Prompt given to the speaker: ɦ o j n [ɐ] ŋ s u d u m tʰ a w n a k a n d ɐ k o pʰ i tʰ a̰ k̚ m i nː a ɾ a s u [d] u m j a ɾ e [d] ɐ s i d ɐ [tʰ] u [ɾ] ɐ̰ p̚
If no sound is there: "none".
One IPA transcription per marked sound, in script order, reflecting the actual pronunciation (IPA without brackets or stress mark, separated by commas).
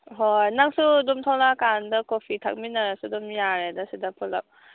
a, d, d, pʰ, l